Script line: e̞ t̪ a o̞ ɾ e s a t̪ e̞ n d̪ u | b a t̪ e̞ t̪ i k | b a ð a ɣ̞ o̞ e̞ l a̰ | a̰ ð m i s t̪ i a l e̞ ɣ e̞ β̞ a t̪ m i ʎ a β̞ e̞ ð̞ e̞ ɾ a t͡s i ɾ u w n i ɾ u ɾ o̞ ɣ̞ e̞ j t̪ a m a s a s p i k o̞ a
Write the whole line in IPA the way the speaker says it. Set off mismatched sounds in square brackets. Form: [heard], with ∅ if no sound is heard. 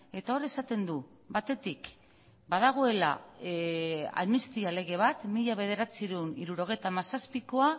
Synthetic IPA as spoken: e̞ t̪ a o̞ ɾ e s a t̪ e̞ n d̪ u | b a t̪ e̞ t̪ i k | b a ð a ɣ̞ o̞ e̞ l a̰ | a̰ ð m i s t̪ i a l e̞ ɣ e̞ β̞ a t̪ m i ʎ a β̞ e̞ ð̞ e̞ ɾ a t͡s i ɾ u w n i ɾ u ɾ o̞ ɣ̞ e̞ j t̪ a m a s a s p i k o̞ a

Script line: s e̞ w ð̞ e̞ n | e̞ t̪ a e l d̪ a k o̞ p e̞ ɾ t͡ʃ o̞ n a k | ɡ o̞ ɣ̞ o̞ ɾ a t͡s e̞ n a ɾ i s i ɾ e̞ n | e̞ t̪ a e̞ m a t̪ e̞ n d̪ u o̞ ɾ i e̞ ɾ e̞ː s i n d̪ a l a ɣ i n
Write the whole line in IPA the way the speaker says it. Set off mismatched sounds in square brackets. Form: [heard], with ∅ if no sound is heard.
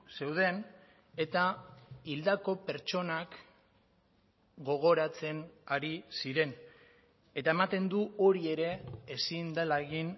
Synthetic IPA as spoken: s e̞ w ð̞ e̞ n | e̞ t̪ a [i] l d̪ a k o̞ p e̞ ɾ t͡ʃ o̞ n a k | ɡ o̞ ɣ̞ o̞ ɾ a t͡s e̞ n a ɾ i s i ɾ e̞ n | e̞ t̪ a e̞ m a t̪ e̞ n d̪ u o̞ ɾ i e̞ ɾ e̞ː s i n d̪ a l a ɣ i n

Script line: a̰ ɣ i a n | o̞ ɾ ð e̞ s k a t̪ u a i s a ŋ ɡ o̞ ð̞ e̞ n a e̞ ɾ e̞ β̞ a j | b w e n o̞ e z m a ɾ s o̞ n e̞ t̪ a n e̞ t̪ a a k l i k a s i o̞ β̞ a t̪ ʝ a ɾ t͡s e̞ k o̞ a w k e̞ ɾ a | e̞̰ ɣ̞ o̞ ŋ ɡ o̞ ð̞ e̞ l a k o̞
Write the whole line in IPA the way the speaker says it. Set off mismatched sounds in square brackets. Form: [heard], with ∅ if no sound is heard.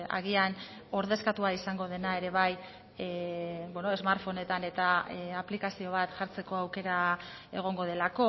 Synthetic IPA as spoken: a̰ ɣ i a n | o̞ ɾ ð e̞ s k a t̪ u a i s a ŋ ɡ o̞ ð̞ e̞ n a e̞ ɾ e̞ β̞ a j | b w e n o̞ e z m a ɾ [f] o̞ n e̞ t̪ a n e̞ t̪ a a [p] l i k a s i o̞ β̞ a t̪ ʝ a ɾ t͡s e̞ k o̞ a w k e̞ ɾ a | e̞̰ ɣ̞ o̞ ŋ ɡ o̞ ð̞ e̞ l a k o̞

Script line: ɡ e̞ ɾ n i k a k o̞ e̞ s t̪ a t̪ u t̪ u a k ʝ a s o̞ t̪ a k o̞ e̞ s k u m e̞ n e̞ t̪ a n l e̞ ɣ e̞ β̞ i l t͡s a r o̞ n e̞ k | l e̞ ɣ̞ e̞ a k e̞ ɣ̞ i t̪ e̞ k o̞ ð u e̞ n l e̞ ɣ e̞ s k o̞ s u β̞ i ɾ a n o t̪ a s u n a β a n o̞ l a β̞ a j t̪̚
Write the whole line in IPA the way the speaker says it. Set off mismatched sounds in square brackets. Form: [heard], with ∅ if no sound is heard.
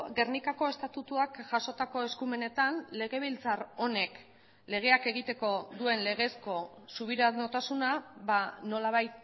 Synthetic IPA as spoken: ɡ e̞ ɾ n i k a k o̞ e̞ s t̪ a t̪ u t̪ u a k ʝ a s o̞ t̪ a k o̞ e̞ s k u m e̞ n e̞ t̪ a n l e̞ ɣ e̞ β̞ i l t͡s a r o̞ n e̞ k | l e̞ ɣ̞ e̞ a k e̞ ɣ̞ i t̪ e̞ k o̞ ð u e̞ n l e̞ ɣ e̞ s k o̞ s u β̞ i ɾ a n o t̪ a s u n a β a n o̞ l a β̞ a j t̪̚

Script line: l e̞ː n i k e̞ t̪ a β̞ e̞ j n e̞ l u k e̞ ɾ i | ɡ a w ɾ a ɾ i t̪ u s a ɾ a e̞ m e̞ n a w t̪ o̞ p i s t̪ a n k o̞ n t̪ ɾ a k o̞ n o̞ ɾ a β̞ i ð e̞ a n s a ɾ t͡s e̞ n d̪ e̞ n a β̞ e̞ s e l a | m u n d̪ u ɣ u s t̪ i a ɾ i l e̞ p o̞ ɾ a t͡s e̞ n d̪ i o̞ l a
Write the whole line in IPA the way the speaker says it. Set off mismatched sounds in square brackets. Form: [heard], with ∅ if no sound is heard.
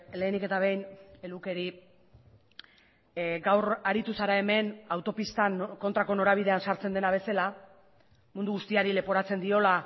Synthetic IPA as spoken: l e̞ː n i k e̞ t̪ a β̞ e̞ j n e̞ l u k e̞ ɾ i | ɡ a w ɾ a ɾ i t̪ u s a ɾ a e̞ m e̞ n a w t̪ o̞ p i s t̪ a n k o̞ n t̪ ɾ a k o̞ n o̞ ɾ a β̞ i ð e̞ a n s a ɾ t͡s e̞ n d̪ e̞ n a β̞ e̞ s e l a | m u n d̪ u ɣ u s t̪ i a ɾ i l e̞ p o̞ ɾ a t͡s e̞ n d̪ i o̞ l a

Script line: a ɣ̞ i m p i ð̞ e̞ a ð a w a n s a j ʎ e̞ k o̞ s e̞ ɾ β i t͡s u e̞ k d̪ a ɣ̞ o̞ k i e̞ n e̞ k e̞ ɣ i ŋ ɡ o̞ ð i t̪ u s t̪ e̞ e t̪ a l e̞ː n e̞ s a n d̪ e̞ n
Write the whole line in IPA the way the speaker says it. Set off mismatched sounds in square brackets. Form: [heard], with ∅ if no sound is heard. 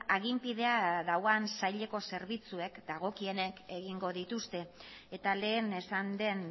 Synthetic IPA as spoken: a ɣ̞ i m p i ð̞ e̞ a ð a w a n s a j ʎ e̞ k o̞ s e̞ ɾ β i t͡s u e̞ k d̪ a ɣ̞ o̞ k i e̞ n e̞ k e̞ ɣ i ŋ ɡ o̞ ð i t̪ u s t̪ e̞ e t̪ a l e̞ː n e̞ s a n d̪ e̞ n

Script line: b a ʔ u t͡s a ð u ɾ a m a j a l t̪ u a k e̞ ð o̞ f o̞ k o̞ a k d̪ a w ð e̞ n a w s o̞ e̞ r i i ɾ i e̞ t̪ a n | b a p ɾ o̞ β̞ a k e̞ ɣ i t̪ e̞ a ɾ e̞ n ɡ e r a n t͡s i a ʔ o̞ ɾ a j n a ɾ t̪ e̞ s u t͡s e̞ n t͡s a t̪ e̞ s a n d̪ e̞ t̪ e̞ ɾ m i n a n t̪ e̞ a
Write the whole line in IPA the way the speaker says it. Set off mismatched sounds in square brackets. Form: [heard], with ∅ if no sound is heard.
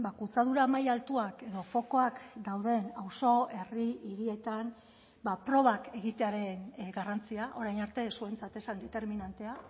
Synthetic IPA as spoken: b a [k] u t͡s a ð u ɾ a m a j a l t̪ u a k e̞ ð o̞ f o̞ k o̞ a k d̪ a w ð e̞ n a w s o̞ e̞ r i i ɾ i e̞ t̪ a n | b a p ɾ o̞ β̞ a k e̞ ɣ i t̪ e̞ a ɾ e̞ n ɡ [a] r a n t͡s i a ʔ o̞ ɾ a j n a ɾ t̪ e̞ s u [∅] e̞ n t͡s a t̪ e̞ s a n d̪ e̞ t̪ e̞ ɾ m i n a n t̪ e̞ a

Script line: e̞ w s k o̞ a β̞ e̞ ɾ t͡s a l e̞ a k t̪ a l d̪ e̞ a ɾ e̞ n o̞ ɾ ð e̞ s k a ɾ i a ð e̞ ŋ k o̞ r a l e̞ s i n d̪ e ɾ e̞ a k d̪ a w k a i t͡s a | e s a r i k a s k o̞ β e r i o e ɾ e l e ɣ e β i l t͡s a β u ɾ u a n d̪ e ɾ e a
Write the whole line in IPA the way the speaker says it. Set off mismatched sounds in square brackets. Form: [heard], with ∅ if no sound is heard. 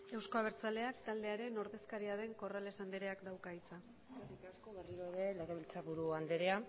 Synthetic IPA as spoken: e̞ w s k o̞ a β̞ e̞ ɾ t͡s a l e̞ a k t̪ a l d̪ e̞ a ɾ e̞ n o̞ ɾ ð e̞ s k a ɾ i a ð e̞ ŋ k o̞ r a l e̞ s [a] n d̪ e ɾ e̞ a k d̪ a w k a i t͡s a | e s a r i k a s k o̞ β e r i o e ɾ e l e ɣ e β i l t͡s a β u ɾ u a n d̪ e ɾ e a

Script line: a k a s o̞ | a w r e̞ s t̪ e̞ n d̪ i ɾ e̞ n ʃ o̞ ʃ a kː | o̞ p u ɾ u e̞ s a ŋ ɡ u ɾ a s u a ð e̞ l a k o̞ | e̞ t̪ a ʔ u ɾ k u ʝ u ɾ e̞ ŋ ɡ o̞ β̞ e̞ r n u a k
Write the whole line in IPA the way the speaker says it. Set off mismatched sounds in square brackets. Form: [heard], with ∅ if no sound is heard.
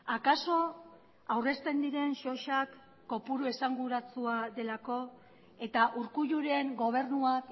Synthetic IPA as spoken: a k a s o̞ | a w r e̞ s t̪ e̞ n d̪ i ɾ e̞ n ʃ o̞ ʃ a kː | o̞ p u ɾ u e̞ s a ŋ ɡ u ɾ a [t͡s] u a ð e̞ l a k o̞ | e̞ t̪ a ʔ u ɾ k u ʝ u ɾ e̞ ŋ ɡ o̞ β̞ e̞ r n u a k

